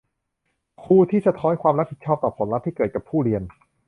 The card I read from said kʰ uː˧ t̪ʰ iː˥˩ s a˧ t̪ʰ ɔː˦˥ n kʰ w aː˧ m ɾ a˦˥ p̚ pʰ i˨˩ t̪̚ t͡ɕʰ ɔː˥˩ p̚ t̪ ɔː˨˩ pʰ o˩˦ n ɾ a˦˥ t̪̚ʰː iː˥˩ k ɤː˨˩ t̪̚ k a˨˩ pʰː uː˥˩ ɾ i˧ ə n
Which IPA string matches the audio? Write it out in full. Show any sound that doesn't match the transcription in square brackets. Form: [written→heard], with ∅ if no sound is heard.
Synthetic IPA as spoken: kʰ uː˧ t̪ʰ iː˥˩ s a˧ t̪ʰ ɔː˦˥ n kʰ w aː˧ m ɾ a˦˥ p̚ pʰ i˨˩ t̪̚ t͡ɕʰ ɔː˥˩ p̚ t̪ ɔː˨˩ pʰ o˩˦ n ɾ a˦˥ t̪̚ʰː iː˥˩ k ɤː˨˩ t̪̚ k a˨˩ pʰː uː˥˩ ɾ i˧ ə n